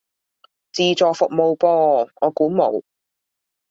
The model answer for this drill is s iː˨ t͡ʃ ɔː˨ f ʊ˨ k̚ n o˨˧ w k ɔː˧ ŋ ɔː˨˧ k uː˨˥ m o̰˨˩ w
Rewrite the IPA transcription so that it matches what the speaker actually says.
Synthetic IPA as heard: t͡s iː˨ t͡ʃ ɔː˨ f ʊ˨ k̚ m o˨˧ w p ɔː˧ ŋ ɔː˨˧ k uː˨˥ m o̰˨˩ w